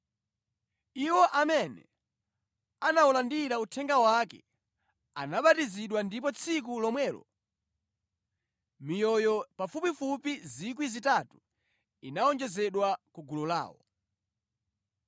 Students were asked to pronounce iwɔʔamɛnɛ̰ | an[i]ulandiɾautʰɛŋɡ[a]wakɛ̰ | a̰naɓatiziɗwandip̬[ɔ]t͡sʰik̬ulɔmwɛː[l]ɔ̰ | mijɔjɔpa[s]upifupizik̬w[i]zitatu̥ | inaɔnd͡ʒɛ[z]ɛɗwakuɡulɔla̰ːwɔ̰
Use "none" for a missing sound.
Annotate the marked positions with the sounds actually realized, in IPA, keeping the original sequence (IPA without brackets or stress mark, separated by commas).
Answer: a, a, ɔ, l, f, i, z